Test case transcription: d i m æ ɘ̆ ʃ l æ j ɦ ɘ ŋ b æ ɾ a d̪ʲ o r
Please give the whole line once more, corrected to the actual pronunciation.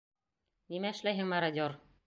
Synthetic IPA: n i m æ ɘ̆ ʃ l æ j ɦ ɘ ŋ m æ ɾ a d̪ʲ o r